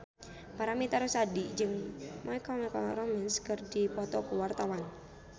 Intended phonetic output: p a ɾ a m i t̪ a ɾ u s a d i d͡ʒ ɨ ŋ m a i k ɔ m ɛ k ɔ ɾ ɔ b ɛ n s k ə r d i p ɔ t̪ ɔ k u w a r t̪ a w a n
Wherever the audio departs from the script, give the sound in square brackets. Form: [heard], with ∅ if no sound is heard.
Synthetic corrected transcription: p a ɾ a m i t̪ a ɾ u s a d i d͡ʒ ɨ ŋ m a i k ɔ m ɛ k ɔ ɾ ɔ [m] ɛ n s k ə r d i p ɔ t̪ ɔ k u w a r t̪ a w a n